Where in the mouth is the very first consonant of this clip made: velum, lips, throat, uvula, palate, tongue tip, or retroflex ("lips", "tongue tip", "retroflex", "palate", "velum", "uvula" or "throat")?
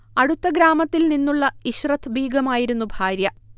retroflex